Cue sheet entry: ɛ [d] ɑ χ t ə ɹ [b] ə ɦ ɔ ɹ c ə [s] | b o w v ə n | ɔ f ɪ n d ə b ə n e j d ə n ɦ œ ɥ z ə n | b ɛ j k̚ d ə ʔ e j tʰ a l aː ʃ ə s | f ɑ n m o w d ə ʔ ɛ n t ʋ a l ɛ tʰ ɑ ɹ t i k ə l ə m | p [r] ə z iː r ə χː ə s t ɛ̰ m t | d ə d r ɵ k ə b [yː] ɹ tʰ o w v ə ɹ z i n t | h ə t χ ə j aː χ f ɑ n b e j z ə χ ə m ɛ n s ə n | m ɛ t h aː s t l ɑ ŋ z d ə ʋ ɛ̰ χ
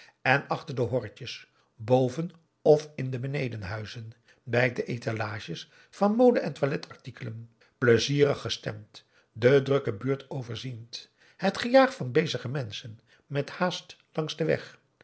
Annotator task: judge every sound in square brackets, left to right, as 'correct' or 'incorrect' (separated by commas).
incorrect, incorrect, correct, incorrect, correct